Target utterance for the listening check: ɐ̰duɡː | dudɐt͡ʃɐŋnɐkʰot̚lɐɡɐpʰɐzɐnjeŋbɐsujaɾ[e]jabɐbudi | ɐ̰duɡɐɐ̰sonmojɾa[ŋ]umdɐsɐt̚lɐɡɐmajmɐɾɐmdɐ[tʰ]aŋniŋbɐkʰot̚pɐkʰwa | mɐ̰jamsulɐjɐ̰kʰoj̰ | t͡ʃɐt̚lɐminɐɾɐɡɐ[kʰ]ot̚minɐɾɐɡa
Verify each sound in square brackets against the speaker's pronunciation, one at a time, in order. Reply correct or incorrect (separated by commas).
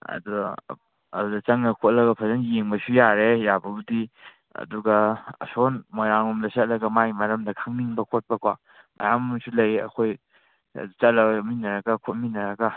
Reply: correct, correct, incorrect, correct